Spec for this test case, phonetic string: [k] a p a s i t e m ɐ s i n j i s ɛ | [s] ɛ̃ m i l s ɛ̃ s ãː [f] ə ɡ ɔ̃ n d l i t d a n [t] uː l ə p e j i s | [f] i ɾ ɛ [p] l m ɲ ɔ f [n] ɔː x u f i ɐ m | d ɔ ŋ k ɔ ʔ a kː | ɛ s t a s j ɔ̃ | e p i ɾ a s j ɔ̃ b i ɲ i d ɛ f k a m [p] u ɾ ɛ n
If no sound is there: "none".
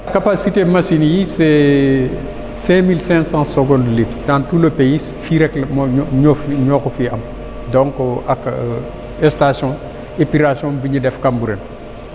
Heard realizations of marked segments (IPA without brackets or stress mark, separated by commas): k, s, s, t, f, k, ɲ, b